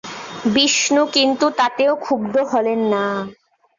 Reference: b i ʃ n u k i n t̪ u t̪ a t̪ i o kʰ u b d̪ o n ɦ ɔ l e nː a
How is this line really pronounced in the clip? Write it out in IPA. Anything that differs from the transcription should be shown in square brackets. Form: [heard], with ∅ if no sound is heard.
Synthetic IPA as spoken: b i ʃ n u k i n t̪ u t̪ a t̪ [e] o kʰ u b d̪ o [∅] ɦ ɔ l e nː a

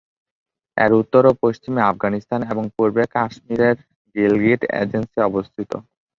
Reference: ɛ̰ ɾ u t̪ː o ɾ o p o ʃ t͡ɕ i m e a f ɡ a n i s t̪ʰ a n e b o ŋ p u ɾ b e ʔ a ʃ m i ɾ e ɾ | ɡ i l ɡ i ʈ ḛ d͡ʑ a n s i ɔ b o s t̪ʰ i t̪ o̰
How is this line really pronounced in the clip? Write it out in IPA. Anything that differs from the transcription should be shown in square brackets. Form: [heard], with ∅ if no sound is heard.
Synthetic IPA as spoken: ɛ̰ ɾ u t̪ː o ɾ o p o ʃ t͡ɕ i m e a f ɡ a n i s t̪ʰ a n e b o ŋ p u ɾ b e [k] a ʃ m i ɾ e ɾ | ɡ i l ɡ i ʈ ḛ d͡ʑ [e] n s i ɔ b o s t̪ʰ i t̪ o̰

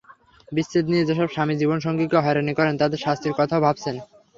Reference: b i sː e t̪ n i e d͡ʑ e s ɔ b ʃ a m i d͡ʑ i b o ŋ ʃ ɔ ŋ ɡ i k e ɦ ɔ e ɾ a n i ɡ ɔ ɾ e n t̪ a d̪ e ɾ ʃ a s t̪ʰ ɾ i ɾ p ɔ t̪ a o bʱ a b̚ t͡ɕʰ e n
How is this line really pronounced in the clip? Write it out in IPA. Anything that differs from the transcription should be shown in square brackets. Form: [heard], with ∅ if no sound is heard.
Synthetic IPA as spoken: b i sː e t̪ n i e d͡ʑ e [ʃ] ɔ b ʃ a m i d͡ʑ i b o [n] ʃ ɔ ŋ ɡ i k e ɦ ɔ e ɾ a n i [k] ɔ ɾ e n t̪ a d̪ e ɾ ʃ a s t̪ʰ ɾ i ɾ [k] ɔ [t̪ʰ] a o bʱ a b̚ t͡ɕʰ e n

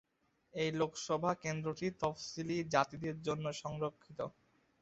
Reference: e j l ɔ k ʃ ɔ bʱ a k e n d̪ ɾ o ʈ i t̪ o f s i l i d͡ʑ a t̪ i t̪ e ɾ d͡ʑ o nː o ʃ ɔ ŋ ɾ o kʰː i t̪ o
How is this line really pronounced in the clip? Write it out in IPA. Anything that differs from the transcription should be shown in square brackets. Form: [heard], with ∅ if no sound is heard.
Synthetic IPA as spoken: e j l [o] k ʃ ɔ bʱ a k e n d̪ ɾ o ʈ i t̪ [ɔ] f s i l i d͡ʑ a t̪ i [d̪] e ɾ d͡ʑ o nː o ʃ ɔ ŋ ɾ o kʰː i t̪ o

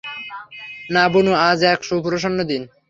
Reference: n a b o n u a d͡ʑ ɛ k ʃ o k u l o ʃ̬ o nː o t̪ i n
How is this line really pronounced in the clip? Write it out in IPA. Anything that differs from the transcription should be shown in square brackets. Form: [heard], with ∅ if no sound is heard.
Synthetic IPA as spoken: n a b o n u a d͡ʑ ɛ k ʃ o [p] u [ɾ] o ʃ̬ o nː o [d̪] i n

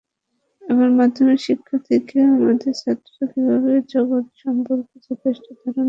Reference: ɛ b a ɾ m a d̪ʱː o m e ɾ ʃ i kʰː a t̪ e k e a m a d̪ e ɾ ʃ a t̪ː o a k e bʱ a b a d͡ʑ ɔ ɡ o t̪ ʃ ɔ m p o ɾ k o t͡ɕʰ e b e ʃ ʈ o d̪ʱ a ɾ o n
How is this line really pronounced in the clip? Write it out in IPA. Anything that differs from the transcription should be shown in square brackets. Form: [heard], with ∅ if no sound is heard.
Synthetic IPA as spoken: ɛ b a ɾ m a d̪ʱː o m e ɾ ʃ i kʰː a [t̪ʰ] e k e a m a d̪ e ɾ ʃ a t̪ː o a k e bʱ a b [e] d͡ʑ ɔ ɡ o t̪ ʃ ɔ m p o ɾ k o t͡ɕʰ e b e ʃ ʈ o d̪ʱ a ɾ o n

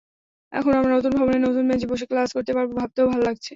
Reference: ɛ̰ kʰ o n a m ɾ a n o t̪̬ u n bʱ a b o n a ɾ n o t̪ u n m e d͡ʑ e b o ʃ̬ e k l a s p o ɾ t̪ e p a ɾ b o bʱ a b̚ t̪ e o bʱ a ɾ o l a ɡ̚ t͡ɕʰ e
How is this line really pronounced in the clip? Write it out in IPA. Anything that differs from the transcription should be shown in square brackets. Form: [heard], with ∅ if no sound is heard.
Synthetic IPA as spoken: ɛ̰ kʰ o n a m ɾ a n o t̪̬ u n bʱ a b o n [e] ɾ n o t̪ u n m e d͡ʑ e b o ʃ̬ e k l a s [k] o ɾ t̪ e p a ɾ b o bʱ a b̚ t̪ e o bʱ a [l] o l a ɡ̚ t͡ɕʰ e

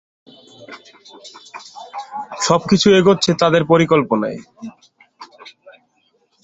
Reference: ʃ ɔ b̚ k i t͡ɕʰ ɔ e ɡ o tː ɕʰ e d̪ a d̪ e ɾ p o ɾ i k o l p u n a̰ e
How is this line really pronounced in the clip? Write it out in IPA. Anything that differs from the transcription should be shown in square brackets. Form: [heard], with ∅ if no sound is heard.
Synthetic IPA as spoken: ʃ ɔ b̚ k i t͡ɕʰ [u] e ɡ o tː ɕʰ e [t̪] a d̪ e ɾ p o ɾ i k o l p [o] n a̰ e

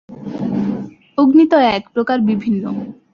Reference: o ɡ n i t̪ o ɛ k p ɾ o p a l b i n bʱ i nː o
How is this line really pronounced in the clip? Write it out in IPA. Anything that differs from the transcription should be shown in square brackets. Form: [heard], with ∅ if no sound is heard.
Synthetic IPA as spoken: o ɡ n i t̪ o ɛ k p ɾ o [k] a [ɾ] b i [∅] bʱ i nː o

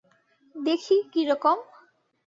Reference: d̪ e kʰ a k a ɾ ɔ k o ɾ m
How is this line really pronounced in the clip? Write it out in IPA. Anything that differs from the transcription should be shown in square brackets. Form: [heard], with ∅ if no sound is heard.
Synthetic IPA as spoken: d̪ e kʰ [i] k [i] ɾ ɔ k o [∅] m

